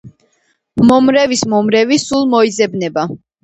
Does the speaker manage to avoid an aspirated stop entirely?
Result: yes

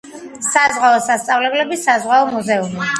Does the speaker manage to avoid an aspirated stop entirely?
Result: yes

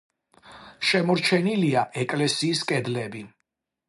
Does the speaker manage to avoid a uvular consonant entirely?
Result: yes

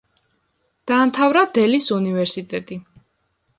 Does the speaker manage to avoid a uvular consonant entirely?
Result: yes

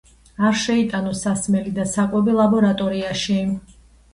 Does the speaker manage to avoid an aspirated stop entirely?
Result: yes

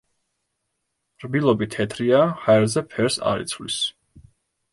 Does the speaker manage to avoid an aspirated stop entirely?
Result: no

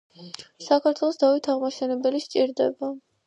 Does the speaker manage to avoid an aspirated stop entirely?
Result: no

